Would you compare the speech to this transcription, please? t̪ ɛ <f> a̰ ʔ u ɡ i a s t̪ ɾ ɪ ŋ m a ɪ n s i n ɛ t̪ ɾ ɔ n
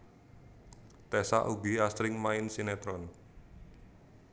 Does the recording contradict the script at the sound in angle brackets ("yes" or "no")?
yes